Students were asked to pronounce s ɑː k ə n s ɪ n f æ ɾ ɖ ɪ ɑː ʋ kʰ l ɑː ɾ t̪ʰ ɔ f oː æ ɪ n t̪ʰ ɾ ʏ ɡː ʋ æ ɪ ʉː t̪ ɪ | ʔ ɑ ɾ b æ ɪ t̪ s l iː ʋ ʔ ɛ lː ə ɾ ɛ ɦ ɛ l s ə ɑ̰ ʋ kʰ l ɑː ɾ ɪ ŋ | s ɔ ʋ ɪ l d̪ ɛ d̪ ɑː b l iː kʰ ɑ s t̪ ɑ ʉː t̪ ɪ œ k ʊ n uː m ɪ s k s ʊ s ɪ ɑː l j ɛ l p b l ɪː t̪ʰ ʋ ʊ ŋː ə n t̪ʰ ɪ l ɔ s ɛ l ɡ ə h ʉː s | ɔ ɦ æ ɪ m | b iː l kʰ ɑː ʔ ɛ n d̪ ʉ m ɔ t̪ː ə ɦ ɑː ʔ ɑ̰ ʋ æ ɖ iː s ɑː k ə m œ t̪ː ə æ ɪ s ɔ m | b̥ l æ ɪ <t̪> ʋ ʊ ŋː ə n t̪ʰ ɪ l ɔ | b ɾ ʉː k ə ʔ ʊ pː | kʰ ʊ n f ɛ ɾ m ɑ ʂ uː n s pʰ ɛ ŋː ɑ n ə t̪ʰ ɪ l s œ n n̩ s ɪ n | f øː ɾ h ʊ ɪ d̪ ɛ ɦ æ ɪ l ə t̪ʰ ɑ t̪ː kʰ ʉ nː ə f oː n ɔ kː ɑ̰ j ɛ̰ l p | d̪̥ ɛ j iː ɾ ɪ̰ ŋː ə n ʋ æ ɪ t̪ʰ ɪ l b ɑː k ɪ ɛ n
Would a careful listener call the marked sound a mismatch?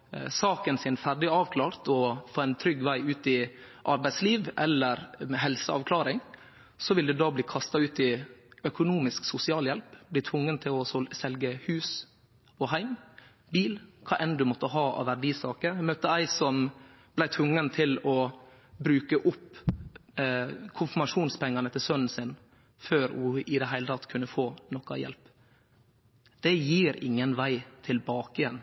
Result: yes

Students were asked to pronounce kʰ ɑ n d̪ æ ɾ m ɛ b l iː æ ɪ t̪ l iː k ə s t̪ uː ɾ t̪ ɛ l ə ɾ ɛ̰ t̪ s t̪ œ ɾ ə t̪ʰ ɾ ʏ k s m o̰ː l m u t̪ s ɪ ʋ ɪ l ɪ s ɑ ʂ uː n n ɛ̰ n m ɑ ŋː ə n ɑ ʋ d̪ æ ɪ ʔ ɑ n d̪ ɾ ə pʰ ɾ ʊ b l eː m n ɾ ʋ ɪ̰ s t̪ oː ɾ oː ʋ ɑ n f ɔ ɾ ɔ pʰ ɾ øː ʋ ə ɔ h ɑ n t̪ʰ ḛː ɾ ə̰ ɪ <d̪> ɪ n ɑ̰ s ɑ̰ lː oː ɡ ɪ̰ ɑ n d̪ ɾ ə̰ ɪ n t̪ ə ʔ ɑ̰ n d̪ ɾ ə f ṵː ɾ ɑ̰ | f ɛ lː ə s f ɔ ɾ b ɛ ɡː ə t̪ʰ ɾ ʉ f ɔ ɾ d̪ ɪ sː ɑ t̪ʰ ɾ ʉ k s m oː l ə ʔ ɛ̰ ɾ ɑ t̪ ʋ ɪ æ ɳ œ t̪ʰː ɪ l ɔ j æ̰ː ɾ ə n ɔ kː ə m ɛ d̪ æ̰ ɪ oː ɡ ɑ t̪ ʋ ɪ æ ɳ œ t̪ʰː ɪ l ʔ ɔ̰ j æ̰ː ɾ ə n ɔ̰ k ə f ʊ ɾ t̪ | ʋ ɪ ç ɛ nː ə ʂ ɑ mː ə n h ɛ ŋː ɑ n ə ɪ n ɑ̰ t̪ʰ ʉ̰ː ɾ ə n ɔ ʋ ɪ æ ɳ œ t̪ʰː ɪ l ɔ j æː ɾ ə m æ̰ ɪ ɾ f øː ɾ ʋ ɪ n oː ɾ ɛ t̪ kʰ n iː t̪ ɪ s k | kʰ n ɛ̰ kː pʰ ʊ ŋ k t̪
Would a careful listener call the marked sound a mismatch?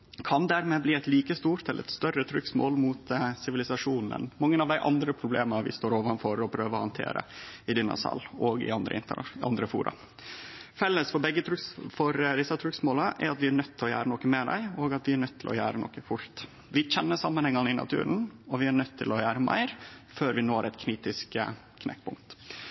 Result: no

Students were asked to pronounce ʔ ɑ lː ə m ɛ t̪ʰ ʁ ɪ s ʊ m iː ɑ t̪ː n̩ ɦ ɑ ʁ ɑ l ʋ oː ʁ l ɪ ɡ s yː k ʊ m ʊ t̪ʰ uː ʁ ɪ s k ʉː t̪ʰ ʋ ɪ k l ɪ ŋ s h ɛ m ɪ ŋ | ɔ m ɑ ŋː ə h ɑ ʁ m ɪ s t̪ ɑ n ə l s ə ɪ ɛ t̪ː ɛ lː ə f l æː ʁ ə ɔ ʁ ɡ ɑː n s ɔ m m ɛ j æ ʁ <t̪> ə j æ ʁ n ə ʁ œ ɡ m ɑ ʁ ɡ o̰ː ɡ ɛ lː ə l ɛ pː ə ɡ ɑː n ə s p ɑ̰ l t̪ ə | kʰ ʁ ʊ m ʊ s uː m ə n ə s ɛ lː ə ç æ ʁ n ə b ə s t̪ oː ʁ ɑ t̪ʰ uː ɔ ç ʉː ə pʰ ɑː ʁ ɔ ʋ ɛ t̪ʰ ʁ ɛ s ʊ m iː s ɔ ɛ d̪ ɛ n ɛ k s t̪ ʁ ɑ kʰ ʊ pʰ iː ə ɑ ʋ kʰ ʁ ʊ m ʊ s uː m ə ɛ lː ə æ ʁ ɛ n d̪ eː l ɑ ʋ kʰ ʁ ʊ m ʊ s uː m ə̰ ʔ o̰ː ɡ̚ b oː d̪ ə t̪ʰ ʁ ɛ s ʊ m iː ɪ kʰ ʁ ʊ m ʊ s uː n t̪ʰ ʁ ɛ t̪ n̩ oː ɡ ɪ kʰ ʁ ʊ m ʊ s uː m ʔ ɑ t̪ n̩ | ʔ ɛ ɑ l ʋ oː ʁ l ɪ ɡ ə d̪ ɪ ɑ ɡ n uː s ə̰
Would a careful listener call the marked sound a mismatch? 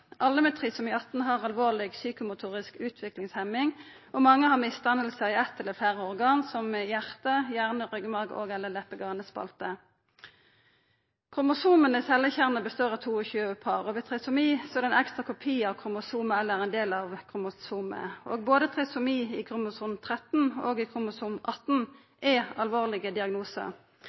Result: no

